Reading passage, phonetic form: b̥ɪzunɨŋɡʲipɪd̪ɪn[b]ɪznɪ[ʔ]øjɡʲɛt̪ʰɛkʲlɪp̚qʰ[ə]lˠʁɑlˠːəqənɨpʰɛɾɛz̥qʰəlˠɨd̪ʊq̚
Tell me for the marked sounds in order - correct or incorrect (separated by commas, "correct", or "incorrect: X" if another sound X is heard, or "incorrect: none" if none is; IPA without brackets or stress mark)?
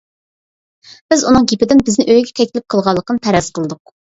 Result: correct, correct, correct